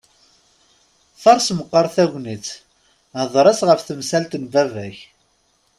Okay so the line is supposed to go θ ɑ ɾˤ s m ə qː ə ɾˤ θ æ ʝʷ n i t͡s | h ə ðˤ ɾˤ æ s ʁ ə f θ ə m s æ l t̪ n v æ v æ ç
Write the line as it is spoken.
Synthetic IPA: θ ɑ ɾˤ s m ə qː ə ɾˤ θ æ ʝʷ n i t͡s | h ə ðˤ ɾˤ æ s ʁ ə f θ ə m s æ l t̪ n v æ v æ ç